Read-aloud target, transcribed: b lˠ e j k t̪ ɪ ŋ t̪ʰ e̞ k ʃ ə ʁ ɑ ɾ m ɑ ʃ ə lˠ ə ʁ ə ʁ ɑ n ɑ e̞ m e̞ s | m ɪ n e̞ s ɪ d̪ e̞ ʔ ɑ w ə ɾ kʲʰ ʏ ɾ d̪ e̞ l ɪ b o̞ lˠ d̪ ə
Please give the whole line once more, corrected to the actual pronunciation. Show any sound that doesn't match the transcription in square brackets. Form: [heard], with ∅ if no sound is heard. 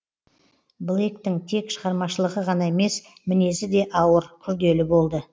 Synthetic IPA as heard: b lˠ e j k t̪ ɪ ŋ t̪ʰ e̞ k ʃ ə ʁ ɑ ɾ m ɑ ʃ ə lˠ ə ʁ ə ʁ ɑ n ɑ e̞ m e̞ s | m ɪ n e̞ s ɪ d̪ e̞ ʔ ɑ w ə ɾ kʲʰ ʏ ɾ d̪ e̞ l ɪ b o̞ lˠ d̪ ə